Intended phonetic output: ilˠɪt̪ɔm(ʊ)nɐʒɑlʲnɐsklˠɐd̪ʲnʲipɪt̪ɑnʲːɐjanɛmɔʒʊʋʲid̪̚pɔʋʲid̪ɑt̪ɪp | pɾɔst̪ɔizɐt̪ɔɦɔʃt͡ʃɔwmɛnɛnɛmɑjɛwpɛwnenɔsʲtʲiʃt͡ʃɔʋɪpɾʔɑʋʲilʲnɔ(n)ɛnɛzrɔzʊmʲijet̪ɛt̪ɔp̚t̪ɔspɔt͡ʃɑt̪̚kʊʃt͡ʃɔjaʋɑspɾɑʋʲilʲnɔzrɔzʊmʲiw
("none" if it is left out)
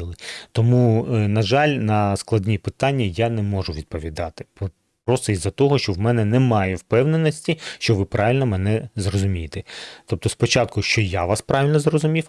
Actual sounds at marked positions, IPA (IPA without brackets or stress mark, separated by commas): u, m